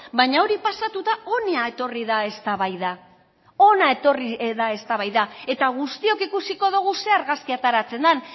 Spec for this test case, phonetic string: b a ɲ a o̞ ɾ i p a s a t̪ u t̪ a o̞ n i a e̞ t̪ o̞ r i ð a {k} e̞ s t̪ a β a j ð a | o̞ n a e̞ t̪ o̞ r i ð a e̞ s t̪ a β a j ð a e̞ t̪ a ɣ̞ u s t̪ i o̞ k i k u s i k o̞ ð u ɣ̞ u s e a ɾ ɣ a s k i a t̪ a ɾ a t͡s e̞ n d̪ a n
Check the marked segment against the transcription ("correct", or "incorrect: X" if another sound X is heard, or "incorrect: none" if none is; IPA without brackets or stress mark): incorrect: none